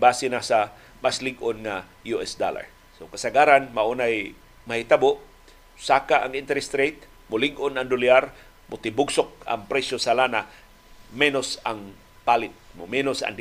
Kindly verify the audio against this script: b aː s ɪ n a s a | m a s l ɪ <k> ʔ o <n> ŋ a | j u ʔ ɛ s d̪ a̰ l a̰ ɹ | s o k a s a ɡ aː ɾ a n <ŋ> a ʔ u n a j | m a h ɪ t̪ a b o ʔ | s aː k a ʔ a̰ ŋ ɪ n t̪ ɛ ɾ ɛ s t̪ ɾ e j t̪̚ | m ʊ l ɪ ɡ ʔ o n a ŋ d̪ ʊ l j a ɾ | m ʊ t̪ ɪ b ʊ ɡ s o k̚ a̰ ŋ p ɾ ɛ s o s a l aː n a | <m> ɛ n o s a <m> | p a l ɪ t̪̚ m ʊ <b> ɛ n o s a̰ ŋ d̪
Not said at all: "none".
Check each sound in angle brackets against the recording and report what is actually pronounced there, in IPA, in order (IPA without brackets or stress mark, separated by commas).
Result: ɡ, n, m, m, ŋ, m